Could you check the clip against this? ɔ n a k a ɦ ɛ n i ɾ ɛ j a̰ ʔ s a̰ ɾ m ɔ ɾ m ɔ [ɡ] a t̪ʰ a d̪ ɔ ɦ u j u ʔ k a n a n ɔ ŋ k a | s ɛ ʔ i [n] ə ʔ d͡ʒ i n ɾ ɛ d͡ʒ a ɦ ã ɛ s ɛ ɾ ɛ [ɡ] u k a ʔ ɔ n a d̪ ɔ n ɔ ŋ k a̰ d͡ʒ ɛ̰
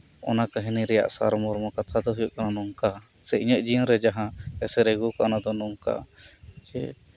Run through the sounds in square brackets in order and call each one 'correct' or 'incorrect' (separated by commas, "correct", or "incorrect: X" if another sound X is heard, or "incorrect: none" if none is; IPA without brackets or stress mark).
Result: incorrect: k, incorrect: ɲ, correct